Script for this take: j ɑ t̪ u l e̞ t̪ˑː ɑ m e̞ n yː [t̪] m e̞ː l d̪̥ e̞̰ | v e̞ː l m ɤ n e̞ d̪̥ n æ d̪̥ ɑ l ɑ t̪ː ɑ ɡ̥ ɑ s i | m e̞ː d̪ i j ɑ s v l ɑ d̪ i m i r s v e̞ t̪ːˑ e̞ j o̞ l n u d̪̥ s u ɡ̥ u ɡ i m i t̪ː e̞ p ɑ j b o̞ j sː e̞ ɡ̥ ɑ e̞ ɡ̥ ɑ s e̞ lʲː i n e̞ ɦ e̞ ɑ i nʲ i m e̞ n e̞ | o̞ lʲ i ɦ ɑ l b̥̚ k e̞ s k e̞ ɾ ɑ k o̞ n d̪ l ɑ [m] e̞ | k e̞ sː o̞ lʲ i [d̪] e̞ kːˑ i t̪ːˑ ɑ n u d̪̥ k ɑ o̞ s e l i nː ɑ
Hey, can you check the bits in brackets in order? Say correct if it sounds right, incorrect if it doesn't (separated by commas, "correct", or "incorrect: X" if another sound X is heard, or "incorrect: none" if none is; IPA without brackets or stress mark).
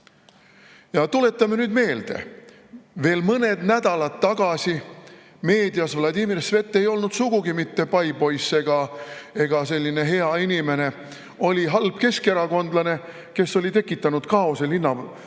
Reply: incorrect: d̪, incorrect: n, incorrect: t̪